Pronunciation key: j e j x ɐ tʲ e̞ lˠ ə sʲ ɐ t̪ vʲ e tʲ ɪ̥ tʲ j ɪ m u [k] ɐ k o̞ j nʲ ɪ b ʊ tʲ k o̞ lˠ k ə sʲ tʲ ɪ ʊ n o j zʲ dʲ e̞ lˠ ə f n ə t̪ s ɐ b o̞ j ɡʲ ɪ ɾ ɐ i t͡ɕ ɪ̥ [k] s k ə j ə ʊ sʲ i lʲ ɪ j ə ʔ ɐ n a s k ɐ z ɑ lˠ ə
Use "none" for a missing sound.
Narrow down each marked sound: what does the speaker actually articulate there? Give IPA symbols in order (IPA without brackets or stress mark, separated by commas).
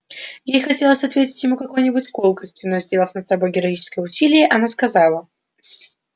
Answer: k, none